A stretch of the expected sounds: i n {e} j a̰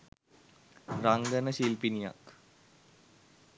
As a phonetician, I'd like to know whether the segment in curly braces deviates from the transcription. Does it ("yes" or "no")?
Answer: yes